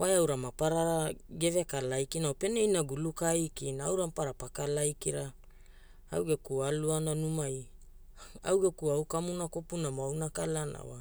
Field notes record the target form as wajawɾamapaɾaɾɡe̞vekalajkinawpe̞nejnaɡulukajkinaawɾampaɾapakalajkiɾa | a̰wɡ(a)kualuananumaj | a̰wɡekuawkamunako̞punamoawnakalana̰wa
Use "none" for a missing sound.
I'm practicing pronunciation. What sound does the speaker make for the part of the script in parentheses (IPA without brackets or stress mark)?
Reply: e